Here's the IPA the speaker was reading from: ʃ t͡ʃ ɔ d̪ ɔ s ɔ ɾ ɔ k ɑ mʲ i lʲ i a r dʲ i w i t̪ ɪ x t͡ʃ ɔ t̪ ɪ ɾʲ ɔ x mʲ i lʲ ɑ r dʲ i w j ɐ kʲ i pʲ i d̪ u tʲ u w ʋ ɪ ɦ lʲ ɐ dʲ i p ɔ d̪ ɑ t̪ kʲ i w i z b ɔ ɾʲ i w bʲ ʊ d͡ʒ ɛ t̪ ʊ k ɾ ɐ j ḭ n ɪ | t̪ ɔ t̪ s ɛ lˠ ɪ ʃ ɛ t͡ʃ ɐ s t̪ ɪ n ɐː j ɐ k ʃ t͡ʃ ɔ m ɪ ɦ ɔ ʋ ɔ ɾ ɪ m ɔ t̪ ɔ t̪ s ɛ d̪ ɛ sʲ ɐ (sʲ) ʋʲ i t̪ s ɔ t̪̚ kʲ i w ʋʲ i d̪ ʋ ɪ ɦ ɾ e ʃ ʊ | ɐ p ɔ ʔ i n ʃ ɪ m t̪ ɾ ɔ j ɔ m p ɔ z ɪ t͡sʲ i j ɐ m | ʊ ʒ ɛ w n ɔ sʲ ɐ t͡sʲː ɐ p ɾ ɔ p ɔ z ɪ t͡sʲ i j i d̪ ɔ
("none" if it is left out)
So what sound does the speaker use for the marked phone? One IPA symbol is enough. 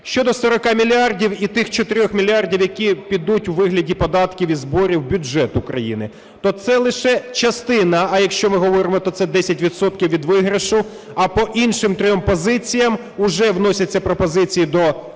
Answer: tʲ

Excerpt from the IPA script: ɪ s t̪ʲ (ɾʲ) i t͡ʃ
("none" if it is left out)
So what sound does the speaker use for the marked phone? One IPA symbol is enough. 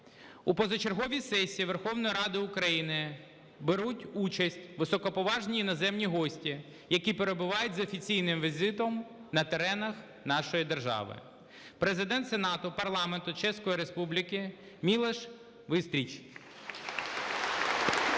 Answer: ɾʲ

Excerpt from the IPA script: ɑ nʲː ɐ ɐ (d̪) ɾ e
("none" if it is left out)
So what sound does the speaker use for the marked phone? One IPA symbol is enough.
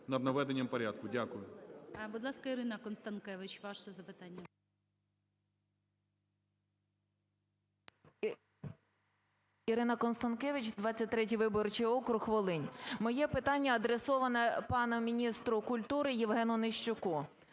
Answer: d̪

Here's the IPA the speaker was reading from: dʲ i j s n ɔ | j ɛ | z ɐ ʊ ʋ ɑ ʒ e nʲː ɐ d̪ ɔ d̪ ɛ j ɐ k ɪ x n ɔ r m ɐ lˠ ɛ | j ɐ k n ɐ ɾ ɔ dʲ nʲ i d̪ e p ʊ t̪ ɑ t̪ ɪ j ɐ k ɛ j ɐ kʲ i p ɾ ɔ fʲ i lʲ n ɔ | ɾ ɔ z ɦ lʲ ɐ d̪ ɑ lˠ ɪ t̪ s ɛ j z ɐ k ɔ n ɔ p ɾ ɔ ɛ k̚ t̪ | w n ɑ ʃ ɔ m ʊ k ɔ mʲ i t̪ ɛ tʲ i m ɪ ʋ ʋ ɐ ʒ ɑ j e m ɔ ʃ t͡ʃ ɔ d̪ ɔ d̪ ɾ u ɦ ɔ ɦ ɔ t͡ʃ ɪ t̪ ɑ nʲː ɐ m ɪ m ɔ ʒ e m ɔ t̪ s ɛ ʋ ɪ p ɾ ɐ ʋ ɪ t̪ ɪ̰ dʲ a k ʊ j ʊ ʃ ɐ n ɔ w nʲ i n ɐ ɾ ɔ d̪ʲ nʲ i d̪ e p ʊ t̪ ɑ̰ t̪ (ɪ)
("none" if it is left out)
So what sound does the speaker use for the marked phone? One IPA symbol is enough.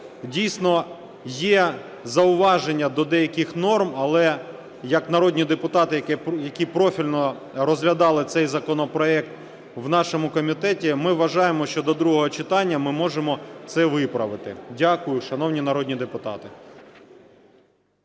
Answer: ɪ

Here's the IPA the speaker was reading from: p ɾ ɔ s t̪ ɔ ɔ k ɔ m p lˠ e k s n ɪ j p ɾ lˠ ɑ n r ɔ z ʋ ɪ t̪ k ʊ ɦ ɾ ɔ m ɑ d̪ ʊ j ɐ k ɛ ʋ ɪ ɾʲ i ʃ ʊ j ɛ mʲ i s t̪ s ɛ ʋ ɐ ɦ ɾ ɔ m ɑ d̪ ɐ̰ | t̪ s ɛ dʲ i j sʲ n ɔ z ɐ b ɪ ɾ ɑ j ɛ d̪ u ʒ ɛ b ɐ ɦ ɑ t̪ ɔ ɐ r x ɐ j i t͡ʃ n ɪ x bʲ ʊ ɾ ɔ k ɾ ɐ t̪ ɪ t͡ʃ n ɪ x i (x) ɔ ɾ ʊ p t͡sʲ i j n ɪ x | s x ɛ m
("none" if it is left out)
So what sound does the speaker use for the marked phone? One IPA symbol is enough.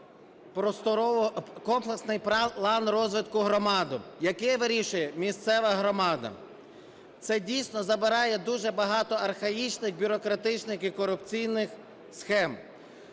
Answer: k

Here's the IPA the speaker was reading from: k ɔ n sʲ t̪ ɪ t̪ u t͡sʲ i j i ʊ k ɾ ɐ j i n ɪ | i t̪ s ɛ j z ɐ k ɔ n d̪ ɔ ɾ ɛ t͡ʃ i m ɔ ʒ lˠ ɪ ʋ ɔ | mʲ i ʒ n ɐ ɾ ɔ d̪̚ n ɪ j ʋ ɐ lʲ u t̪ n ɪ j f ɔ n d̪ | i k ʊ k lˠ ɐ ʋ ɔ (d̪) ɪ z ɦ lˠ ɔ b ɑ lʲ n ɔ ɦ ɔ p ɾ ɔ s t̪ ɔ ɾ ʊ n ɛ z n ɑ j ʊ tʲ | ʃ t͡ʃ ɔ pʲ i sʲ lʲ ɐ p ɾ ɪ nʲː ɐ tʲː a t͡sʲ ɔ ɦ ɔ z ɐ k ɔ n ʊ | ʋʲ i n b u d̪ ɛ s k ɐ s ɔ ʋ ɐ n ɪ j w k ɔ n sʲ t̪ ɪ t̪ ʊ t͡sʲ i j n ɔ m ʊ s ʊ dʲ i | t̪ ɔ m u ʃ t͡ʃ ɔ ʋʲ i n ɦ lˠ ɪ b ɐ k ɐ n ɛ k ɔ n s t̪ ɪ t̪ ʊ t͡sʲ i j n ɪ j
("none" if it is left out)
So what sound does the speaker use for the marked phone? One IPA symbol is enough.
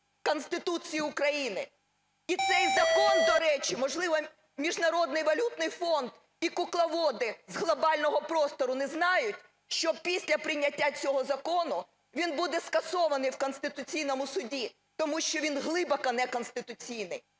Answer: d̪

